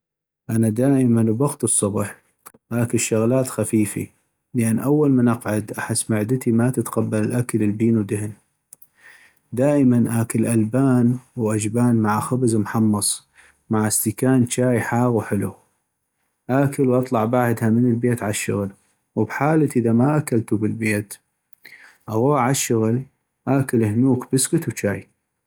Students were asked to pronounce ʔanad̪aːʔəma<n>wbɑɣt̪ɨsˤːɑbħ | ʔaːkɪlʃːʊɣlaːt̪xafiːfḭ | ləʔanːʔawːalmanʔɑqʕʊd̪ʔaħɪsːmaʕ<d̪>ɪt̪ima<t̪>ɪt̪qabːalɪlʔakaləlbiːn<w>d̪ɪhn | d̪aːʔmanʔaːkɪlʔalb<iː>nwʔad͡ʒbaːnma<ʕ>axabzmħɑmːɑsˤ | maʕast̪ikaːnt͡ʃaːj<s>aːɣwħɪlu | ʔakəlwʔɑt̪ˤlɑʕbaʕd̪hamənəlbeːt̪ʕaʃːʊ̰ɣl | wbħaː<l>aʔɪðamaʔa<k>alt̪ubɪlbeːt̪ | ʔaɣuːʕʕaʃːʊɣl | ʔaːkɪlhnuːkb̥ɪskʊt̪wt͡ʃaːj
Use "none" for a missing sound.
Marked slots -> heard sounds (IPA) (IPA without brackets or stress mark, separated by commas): n, d̪, t̪, w, aː, ʕ, ħ, l, k